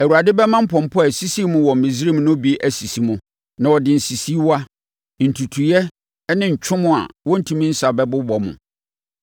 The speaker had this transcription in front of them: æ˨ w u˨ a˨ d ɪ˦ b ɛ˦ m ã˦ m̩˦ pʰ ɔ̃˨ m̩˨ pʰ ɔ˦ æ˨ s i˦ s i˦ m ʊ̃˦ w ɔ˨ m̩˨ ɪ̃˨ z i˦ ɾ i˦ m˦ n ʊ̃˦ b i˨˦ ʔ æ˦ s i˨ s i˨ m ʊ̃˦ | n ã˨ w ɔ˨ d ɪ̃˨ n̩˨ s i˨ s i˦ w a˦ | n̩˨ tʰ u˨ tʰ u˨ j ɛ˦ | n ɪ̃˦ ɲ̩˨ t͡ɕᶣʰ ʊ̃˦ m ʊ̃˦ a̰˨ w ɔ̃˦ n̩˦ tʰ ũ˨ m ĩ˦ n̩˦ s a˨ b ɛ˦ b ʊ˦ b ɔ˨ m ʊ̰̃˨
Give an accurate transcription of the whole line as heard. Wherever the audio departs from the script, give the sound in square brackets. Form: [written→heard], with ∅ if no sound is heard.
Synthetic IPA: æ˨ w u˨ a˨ d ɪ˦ b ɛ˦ m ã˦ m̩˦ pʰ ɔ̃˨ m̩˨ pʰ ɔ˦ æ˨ s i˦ s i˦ m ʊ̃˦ w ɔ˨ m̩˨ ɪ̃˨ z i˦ ɾ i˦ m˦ n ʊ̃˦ b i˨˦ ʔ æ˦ s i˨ s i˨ m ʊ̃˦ | n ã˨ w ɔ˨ d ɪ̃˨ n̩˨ s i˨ s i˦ w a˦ | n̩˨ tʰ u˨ tʰ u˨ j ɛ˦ | n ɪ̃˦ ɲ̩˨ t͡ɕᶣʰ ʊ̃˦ m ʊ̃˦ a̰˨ w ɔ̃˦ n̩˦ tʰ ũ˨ m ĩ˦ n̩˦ s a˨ b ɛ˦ b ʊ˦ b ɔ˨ m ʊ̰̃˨